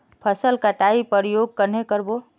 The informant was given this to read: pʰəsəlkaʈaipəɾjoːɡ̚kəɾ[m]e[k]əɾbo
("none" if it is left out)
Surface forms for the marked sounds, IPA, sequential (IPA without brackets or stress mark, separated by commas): n, k